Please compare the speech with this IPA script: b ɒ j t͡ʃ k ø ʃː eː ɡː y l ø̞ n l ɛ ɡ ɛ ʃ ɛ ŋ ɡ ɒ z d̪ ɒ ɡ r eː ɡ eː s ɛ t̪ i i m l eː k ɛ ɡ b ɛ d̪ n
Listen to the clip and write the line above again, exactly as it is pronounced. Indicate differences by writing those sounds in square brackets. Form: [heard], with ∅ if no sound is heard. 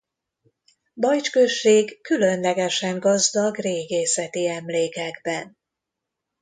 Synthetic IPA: b ɒ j t͡ʃ k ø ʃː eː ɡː y l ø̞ n l ɛ ɡ ɛ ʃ ɛ ŋ ɡ ɒ z d̪ ɒ ɡ r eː ɡ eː s ɛ t̪ i [ɛ] m l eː k ɛ ɡ b ɛ [∅] n